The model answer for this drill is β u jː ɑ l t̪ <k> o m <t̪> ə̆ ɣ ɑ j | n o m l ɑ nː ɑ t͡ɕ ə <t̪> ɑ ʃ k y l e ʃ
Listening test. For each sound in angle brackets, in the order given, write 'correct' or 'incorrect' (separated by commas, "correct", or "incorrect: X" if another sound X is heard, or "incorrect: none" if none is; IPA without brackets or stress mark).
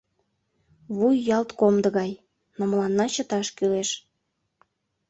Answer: correct, incorrect: d̪, correct